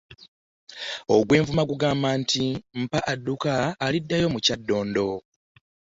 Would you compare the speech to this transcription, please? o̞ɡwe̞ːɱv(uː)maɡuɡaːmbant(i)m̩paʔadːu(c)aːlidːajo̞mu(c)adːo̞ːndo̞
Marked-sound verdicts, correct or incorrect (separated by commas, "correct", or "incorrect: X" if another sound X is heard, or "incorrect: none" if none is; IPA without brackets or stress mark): incorrect: u, correct, incorrect: k, correct